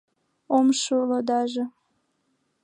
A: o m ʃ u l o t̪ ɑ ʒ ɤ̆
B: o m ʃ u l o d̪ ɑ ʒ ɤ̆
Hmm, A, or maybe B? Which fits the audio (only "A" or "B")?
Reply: B